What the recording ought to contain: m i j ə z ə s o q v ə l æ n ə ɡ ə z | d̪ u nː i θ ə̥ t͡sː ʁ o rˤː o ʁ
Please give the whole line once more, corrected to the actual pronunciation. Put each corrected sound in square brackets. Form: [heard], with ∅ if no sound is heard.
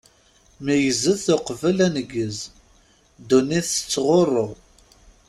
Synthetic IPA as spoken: m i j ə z ə [θ] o q v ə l æ n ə ɡ ə z | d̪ u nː i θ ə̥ t͡sː ʁ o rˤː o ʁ